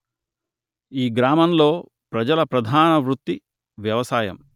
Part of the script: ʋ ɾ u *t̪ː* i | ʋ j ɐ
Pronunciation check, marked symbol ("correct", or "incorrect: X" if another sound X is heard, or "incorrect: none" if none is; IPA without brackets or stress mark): correct